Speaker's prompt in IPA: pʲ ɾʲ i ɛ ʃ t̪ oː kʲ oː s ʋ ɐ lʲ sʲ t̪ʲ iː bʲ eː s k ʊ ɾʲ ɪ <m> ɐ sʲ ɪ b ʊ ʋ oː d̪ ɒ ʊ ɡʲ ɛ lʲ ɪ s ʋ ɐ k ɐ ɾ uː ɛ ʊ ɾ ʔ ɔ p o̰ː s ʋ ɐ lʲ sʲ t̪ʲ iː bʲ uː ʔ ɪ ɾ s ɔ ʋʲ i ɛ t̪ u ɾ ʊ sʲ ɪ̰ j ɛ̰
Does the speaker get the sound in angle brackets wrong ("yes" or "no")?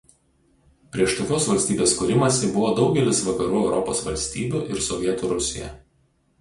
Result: no